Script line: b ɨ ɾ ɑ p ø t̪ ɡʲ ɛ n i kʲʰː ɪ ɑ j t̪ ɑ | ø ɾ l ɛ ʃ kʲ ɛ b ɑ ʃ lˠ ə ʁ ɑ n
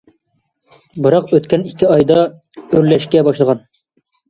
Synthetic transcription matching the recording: b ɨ ɾ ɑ q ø t̪ kʲ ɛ n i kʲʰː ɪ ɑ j d̪ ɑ | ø ɾ l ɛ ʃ kʲ ɛ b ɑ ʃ lˠ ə ʁ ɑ n